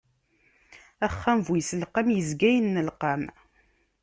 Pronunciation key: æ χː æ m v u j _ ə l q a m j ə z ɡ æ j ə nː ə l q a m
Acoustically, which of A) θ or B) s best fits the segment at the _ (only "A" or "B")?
B